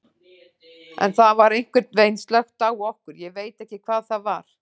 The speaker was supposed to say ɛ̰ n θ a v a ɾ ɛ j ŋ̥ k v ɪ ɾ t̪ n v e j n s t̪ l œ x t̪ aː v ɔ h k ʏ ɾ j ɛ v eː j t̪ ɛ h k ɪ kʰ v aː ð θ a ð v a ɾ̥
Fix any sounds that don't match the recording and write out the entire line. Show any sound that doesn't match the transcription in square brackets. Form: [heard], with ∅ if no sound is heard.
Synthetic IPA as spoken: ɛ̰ n θ a v a ɾ [e] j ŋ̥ k v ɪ ɾ t̪ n v e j n s t̪ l œ x t̪ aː [w] ɔ h k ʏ ɾ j ɛ v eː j t̪ ɛ h [c] ɪ kʰ v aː ð θ a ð v a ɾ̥